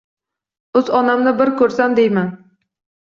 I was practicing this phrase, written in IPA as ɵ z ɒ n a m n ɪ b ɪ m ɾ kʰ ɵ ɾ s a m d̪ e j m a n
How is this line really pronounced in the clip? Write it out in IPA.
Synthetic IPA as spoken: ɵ z ɒ n a m n ɪ b ɪ ɾ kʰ ɵ ɾ s a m d̪ e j m a n